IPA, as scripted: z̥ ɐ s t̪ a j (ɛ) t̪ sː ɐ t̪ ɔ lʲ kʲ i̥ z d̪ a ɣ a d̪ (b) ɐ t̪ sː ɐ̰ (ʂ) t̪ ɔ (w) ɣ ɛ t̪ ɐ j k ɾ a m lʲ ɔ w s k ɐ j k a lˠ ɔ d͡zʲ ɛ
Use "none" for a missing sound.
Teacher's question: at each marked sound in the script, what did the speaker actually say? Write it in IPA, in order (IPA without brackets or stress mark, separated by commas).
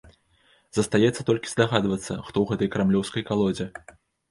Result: ɛ, v, x, w